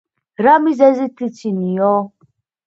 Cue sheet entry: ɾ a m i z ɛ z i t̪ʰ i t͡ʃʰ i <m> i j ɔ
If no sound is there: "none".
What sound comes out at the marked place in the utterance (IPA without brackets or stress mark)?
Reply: n